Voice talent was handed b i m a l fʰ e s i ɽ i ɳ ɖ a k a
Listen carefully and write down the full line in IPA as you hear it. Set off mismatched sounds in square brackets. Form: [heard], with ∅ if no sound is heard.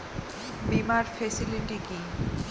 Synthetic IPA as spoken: b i m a [ɾ] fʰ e s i [l] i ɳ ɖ [i] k [i]